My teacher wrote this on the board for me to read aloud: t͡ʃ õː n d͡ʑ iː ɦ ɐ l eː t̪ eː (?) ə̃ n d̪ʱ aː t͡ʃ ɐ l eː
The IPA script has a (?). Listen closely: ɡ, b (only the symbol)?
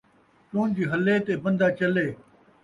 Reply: b